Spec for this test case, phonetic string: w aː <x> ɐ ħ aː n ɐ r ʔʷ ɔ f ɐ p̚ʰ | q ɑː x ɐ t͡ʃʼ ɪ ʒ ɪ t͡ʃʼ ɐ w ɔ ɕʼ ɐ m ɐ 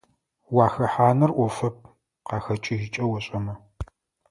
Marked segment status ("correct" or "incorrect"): correct